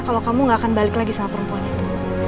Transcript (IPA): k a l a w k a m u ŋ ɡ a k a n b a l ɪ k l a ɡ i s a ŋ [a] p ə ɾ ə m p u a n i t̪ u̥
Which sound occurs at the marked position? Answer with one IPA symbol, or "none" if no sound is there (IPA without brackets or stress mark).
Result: a